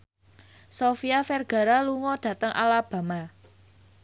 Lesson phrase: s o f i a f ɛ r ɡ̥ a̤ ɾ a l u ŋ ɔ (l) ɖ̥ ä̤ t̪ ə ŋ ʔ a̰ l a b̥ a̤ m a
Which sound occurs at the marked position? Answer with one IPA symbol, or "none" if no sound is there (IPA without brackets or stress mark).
none